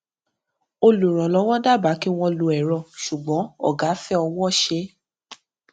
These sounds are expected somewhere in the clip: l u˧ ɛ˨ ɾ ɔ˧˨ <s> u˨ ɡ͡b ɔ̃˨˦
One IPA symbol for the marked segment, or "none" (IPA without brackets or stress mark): ʃ